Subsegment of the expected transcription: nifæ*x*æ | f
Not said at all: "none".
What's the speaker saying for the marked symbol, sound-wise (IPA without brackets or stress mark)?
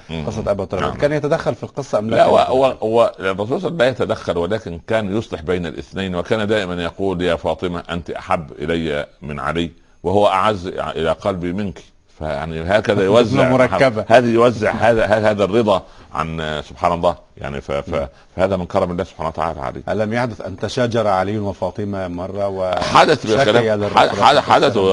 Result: f